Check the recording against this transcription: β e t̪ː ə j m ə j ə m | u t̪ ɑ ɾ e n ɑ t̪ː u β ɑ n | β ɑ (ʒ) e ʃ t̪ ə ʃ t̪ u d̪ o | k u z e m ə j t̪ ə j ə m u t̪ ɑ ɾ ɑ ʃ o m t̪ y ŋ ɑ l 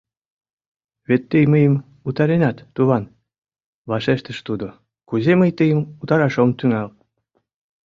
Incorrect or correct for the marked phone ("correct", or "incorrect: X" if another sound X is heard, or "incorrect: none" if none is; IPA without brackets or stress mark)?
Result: incorrect: ʃ